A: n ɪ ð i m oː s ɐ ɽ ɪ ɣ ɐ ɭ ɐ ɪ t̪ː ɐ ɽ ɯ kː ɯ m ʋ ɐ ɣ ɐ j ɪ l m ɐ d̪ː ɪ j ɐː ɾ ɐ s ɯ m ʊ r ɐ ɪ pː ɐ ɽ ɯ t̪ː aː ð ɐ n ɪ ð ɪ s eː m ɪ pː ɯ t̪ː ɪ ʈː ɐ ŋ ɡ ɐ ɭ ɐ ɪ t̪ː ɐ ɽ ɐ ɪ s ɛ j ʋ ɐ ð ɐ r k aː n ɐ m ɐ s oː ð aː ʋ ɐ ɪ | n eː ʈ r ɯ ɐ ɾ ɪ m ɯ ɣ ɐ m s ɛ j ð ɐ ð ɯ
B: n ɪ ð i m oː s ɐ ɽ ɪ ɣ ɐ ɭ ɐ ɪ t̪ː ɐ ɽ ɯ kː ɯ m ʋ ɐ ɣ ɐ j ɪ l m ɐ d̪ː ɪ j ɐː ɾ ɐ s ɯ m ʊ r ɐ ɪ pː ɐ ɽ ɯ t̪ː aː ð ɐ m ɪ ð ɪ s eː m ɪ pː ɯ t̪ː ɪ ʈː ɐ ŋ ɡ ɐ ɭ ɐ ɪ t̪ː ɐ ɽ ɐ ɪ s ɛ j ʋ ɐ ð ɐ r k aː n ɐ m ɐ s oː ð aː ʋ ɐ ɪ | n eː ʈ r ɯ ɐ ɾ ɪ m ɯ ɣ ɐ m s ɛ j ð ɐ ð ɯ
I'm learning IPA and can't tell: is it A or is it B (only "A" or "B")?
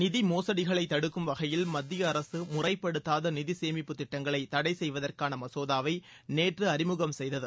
A